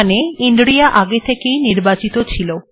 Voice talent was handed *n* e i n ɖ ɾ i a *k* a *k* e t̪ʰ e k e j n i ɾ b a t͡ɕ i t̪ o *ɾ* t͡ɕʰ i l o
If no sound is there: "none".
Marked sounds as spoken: n, ʔ, ɡ, none

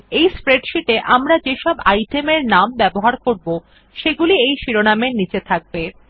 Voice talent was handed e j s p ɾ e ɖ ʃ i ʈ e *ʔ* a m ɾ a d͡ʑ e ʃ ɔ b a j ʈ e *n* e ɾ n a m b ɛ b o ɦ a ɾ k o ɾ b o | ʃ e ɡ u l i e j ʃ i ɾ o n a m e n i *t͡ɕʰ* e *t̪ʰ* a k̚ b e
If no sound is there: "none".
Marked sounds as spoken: ʔ, m, t͡ɕ, t̪ʰ

